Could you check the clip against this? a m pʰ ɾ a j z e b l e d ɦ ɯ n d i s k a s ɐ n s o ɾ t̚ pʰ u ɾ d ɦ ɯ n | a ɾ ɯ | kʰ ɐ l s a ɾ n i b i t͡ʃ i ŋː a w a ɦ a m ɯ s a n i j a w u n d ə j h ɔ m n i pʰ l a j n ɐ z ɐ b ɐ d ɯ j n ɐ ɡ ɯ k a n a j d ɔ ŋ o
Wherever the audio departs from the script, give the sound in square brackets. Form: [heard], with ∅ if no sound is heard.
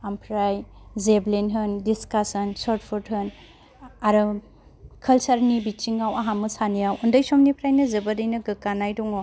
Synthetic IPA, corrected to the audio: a m pʰ ɾ a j z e b l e [n] ɦ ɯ n d i s k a s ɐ n s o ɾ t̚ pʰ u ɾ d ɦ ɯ n | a ɾ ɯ | kʰ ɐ l s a ɾ n i b i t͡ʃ i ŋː a w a ɦ a m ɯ s a n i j a w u n d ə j [s] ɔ m n i pʰ [ɾ] a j n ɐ z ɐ b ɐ d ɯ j n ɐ ɡ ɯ k a n a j d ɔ ŋ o